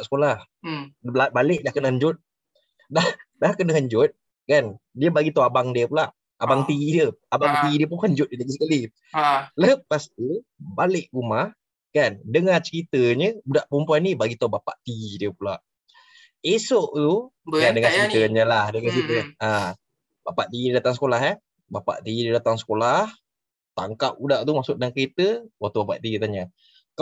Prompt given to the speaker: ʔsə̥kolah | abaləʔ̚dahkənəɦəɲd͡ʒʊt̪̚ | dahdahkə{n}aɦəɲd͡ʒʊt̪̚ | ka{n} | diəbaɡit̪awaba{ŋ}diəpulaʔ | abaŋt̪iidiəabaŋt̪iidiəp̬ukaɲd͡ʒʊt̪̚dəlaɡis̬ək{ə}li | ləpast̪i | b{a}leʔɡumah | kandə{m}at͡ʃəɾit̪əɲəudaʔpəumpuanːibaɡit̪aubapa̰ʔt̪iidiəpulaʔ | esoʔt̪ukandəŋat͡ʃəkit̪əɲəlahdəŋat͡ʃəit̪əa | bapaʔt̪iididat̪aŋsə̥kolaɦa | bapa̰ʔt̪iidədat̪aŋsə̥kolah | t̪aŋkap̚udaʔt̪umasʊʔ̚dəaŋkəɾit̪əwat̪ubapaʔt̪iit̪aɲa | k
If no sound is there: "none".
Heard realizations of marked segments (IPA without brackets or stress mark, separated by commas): n, n, ŋ, a, a, ŋ